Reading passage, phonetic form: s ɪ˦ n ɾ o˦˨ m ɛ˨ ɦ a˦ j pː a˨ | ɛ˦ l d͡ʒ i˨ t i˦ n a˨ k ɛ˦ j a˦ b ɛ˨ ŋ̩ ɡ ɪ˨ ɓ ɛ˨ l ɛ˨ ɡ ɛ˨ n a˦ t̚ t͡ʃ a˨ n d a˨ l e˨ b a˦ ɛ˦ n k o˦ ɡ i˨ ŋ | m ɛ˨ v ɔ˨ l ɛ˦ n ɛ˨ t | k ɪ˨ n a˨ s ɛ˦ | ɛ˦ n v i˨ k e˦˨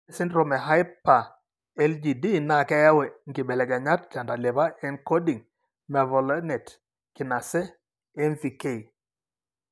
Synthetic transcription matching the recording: s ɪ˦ n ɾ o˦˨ m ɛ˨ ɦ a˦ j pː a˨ | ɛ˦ l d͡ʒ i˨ d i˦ n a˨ k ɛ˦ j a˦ w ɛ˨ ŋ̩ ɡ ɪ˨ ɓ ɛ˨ l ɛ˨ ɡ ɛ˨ ɲ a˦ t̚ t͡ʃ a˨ n d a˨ l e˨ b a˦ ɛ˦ n k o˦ d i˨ ŋ | m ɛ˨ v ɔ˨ l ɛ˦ n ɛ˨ t | k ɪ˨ n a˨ s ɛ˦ | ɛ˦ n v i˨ k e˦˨